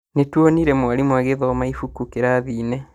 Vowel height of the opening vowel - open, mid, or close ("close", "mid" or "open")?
mid